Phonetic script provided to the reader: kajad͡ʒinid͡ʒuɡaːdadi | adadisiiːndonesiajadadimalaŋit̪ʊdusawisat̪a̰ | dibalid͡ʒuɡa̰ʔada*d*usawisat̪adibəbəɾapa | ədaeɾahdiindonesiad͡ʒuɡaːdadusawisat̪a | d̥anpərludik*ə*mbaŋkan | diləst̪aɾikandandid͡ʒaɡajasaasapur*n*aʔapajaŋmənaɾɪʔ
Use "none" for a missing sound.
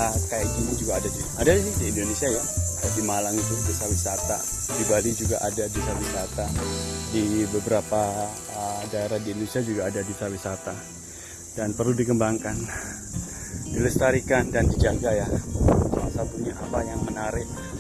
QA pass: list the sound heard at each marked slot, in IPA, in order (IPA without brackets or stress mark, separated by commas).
d, ə, ɲ